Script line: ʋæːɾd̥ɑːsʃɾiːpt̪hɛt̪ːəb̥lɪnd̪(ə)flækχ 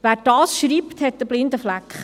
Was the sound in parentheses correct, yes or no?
yes